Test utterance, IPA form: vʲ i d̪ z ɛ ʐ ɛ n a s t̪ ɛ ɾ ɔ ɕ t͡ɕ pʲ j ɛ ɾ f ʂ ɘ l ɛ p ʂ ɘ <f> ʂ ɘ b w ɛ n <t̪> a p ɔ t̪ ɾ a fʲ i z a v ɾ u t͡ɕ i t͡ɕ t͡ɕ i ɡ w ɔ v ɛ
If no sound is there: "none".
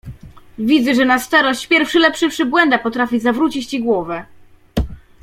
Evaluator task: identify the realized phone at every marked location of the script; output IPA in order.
f, d̪

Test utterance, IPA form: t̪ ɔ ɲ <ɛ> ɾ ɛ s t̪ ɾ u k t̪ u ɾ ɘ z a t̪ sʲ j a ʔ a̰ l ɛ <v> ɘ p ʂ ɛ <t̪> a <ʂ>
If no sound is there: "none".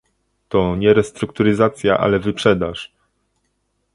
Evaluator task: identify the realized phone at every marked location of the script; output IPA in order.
ɛ, v, d̪, ʂ

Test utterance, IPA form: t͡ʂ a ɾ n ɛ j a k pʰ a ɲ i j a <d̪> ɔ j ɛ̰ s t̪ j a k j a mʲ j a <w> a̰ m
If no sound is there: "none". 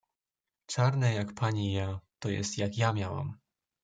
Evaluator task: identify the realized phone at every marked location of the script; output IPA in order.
t̪, w

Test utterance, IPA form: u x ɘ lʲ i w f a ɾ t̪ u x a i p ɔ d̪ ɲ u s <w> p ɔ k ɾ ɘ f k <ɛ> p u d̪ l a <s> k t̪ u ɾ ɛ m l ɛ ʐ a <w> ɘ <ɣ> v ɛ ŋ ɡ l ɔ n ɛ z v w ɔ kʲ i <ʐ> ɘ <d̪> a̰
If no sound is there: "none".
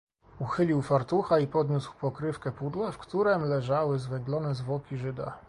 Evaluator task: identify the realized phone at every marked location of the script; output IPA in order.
w, ɛ, f, w, z, ʐ, d̪

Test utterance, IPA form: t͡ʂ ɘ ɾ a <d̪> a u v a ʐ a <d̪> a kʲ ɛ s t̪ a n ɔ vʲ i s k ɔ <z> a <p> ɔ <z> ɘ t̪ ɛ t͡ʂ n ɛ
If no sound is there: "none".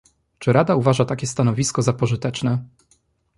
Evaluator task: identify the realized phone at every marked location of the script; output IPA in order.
d̪, t̪, z, p, ʐ

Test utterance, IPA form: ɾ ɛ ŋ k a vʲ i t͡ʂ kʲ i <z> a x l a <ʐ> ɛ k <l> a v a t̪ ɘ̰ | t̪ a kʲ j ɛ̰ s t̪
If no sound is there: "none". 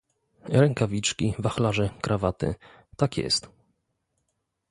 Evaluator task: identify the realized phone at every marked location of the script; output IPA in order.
v, ʐ, ɾ

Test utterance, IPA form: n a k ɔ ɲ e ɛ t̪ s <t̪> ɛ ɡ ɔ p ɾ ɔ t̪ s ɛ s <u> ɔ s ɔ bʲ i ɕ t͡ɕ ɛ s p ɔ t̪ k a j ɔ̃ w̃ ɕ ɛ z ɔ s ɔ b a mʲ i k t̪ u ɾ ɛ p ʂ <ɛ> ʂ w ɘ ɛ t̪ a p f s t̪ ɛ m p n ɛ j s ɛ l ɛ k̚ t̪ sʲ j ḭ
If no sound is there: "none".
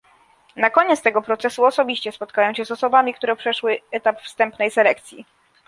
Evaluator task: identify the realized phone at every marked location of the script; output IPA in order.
t̪, u, ɛ

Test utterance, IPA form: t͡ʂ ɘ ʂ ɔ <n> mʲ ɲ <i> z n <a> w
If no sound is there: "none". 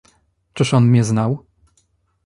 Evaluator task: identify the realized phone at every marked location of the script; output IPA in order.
n, ɛ, a

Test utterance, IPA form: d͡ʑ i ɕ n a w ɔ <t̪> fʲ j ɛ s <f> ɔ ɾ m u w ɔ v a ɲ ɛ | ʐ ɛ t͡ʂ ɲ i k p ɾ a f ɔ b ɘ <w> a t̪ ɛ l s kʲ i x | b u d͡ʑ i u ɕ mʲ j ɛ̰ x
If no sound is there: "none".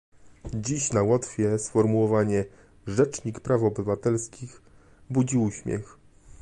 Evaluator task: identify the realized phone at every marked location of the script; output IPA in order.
t̪, f, v

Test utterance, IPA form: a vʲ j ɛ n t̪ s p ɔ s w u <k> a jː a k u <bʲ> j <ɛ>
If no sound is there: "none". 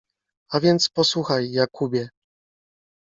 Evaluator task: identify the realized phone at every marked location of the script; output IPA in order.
x, bʲ, ɛ

